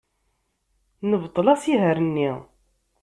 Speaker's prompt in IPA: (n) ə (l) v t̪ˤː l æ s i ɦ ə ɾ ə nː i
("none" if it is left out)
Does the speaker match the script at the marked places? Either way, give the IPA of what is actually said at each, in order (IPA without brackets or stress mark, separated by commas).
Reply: n, none